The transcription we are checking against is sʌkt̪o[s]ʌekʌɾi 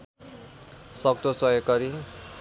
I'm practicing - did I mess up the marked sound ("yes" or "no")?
no